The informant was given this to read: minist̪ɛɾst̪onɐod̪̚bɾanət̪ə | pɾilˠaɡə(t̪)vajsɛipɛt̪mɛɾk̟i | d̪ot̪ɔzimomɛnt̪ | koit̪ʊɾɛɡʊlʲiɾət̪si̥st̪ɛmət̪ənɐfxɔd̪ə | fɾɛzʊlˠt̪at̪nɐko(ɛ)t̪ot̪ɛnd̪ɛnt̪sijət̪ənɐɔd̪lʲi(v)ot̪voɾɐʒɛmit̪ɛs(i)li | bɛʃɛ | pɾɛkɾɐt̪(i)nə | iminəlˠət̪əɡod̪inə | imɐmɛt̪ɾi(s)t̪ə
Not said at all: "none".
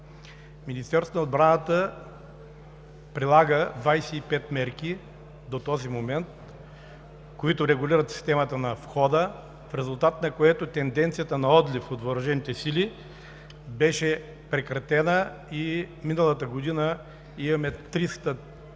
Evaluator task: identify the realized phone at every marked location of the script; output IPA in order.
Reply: d̪, ɛ, f, i, ɛ, s

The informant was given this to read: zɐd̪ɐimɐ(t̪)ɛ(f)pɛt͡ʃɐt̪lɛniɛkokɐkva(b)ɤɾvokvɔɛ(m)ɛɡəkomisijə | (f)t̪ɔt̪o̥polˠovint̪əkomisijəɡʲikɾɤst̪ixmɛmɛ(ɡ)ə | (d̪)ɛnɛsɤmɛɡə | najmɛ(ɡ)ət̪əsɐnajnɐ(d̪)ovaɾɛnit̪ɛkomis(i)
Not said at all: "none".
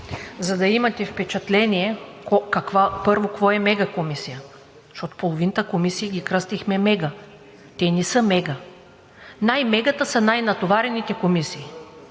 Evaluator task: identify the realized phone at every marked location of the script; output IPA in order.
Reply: t̪, f, p, m, ʃ, ɡ, t̪, ɡ, t̪, iː

